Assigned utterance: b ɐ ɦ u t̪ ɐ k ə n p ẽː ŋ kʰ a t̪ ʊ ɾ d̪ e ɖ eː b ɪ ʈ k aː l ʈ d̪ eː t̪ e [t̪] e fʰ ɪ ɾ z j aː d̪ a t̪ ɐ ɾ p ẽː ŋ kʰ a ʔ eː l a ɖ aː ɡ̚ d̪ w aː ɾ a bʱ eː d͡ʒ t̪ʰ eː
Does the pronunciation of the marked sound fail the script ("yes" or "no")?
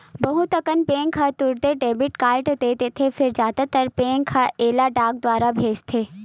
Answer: yes